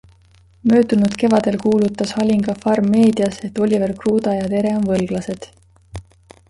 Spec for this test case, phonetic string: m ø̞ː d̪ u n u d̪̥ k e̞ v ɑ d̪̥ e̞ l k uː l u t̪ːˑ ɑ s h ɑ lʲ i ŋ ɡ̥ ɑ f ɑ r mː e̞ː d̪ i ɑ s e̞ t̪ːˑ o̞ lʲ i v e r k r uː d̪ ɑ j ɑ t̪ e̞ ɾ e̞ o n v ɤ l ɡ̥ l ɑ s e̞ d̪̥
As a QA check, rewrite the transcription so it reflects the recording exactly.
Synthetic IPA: m ø̞ː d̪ u n u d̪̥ k e̞ v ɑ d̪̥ e̞ l k uː l u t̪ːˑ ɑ s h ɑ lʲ i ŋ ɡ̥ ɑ f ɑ r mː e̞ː d̪ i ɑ s e̞ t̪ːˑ o̞ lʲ i v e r k r uː d̪ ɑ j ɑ t̪ e̞ ɾ e̞ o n v ɤ l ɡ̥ l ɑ s e̞ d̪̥